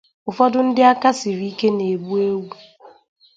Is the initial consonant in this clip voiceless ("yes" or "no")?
yes